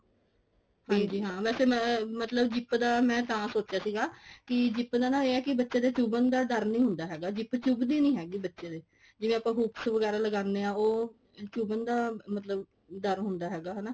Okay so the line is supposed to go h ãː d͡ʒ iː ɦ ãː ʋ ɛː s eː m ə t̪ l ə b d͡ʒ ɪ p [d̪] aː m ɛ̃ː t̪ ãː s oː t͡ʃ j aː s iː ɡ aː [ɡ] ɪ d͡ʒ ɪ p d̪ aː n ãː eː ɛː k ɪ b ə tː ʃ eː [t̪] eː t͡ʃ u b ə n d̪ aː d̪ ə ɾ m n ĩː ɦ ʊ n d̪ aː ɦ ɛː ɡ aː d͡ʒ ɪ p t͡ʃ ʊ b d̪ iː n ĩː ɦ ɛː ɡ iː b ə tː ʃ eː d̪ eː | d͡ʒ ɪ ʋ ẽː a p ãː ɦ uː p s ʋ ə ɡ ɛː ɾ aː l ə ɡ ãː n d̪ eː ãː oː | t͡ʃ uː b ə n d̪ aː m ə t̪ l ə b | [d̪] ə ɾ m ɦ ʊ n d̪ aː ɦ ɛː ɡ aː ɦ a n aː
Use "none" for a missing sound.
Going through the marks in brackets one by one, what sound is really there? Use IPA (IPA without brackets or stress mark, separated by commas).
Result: d̪, k, d̪, d̪